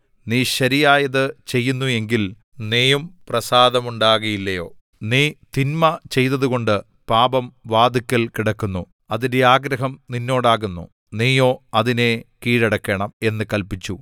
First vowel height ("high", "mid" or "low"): high